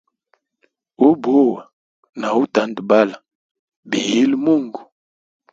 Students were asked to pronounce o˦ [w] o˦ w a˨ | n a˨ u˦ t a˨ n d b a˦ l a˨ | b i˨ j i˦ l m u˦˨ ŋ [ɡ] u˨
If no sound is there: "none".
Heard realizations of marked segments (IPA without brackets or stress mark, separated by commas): b, ɡ